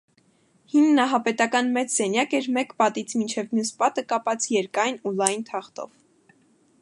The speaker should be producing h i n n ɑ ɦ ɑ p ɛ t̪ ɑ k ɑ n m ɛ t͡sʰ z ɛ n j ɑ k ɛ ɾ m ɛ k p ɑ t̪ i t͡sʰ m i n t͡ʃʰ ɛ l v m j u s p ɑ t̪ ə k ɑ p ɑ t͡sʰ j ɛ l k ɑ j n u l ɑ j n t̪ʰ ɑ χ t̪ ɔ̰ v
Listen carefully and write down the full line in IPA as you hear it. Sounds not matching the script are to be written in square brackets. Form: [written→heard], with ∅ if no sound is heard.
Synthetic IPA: h i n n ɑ ɦ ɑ p ɛ t̪ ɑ k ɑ n m ɛ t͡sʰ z ɛ n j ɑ k ɛ ɾ m ɛ k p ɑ t̪ i t͡sʰ m i n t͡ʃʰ ɛ [l→∅] v m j u s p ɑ t̪ ə k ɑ p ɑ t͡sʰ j ɛ [l→ɾ] k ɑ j n u l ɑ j n t̪ʰ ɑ χ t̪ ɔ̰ v